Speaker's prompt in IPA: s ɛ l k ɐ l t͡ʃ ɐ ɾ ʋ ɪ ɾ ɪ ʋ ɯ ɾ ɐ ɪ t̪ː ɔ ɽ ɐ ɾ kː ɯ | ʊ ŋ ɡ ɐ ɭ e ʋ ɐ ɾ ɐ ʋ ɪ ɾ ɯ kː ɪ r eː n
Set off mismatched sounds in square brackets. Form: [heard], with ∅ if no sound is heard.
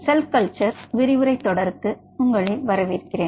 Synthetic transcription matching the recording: s ɛ l k ɐ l t͡ʃ ɐ ɾ ʋ ɪ ɾ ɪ ʋ ɯ ɾ ɐ ɪ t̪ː ɔ ɽ ɐ ɾ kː ɯ | ʊ ŋ ɡ ɐ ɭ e ʋ ɐ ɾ ɐ ʋ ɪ ɾ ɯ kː ɪ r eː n